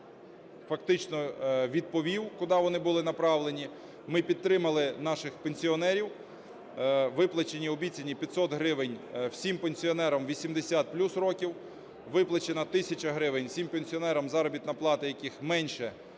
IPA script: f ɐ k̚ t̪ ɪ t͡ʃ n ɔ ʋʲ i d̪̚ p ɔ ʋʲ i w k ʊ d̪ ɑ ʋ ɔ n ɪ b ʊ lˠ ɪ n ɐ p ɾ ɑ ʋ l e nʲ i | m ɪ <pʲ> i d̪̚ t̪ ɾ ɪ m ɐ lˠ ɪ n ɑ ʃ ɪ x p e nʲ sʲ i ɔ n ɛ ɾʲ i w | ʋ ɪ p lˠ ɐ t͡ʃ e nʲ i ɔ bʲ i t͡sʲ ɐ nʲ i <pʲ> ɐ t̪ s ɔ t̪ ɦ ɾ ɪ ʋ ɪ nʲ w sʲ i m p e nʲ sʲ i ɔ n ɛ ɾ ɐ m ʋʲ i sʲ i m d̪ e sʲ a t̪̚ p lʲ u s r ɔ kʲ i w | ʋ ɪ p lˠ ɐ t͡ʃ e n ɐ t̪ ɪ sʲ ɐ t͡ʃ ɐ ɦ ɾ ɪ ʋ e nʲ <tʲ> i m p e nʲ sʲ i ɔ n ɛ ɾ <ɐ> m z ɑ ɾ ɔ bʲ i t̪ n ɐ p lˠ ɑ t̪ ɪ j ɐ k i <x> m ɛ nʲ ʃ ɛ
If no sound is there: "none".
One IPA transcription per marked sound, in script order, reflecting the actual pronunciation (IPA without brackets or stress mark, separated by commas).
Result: pʲ, pʲ, sʲ, ɐ, x